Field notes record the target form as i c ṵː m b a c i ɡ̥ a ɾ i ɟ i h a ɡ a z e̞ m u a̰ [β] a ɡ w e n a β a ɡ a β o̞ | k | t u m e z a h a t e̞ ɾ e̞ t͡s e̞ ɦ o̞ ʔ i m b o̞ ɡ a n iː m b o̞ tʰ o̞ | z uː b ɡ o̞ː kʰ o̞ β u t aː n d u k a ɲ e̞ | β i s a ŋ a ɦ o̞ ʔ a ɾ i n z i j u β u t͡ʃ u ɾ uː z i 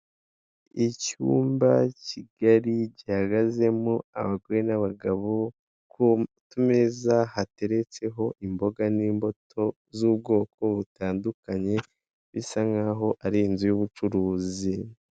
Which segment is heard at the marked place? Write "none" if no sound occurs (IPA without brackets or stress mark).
β